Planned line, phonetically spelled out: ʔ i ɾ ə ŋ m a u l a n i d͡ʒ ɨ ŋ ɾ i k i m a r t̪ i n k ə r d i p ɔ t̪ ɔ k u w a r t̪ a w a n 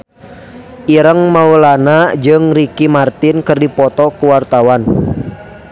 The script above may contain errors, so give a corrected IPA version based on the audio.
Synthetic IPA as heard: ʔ i ɾ ə ŋ m a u l a n a d͡ʒ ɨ ŋ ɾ i k i m a r t̪ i n k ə r d i p ɔ t̪ ɔ k u w a r t̪ a w a n